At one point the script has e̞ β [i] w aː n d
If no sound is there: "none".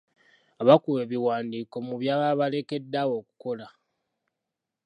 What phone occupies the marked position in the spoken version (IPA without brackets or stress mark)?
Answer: i